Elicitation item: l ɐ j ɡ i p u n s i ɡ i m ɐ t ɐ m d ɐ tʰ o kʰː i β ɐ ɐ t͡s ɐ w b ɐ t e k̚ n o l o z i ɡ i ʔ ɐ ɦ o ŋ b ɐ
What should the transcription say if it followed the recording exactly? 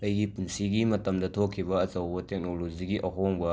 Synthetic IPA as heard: l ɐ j ɡ i p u n s i ɡ i m ɐ t ɐ m d ɐ tʰ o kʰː i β ɐ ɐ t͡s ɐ w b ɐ t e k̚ n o l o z i ɡ i ʔ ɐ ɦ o ŋ b ɐ

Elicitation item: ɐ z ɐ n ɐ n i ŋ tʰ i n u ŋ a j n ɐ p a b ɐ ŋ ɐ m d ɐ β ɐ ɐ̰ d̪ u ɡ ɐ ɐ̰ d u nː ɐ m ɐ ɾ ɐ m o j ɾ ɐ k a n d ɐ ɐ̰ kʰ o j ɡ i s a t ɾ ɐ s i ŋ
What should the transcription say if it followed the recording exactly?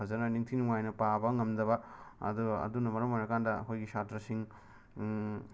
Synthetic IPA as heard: ɐ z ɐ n ɐ n i ŋ tʰ i n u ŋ a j n ɐ p a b ɐ ŋ ɐ m d ɐ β ɐ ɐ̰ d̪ u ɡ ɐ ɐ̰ d u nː ɐ m ɐ ɾ ɐ m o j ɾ ɐ k a n d ɐ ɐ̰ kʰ o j ɡ i s a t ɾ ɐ s i ŋ

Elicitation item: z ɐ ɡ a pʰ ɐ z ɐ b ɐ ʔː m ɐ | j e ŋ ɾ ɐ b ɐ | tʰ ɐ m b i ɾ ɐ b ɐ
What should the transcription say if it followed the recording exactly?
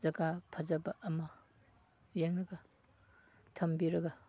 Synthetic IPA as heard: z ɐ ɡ a pʰ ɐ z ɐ b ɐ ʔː m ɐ | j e ŋ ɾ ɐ ɡ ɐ | tʰ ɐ m b i ɾ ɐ ɡ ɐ

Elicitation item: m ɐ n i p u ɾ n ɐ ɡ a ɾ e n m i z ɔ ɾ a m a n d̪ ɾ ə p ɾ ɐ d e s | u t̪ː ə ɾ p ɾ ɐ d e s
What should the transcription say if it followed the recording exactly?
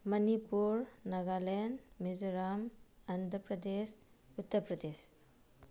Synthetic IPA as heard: m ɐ n i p u ɾ n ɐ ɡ a l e n m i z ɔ ɾ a m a n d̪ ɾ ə p ɾ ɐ d e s | u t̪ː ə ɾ p ɾ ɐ d e s

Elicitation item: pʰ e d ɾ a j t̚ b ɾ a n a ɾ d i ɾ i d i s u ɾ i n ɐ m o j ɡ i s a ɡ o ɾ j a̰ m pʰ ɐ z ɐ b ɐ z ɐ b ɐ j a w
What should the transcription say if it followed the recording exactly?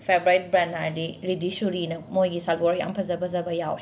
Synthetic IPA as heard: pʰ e b ɾ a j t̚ b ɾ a n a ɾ d i ɾ i d i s u ɾ i n ɐ m o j ɡ i s a ɡ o ɾ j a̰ m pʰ ɐ z ɐ b ɐ z ɐ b ɐ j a w

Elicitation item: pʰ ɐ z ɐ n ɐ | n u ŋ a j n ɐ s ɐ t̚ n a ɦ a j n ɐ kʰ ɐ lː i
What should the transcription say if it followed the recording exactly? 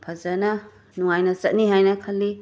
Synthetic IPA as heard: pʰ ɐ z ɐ n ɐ | n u ŋ a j n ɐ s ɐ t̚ n i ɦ a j n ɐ kʰ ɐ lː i

